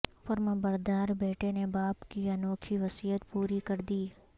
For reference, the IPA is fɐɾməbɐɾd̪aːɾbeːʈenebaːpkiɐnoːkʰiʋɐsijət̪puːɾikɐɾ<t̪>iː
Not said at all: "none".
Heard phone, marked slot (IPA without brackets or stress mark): d̪